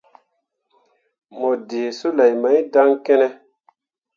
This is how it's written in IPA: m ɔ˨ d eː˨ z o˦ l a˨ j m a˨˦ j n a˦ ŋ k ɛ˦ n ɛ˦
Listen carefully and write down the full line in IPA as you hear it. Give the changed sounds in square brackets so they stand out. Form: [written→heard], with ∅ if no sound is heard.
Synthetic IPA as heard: m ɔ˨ d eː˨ [z→s] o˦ l a˨ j m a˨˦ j [n→d] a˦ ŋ k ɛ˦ n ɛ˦